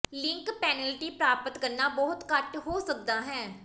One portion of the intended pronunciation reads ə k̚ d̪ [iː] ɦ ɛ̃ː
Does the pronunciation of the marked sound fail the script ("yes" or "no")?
yes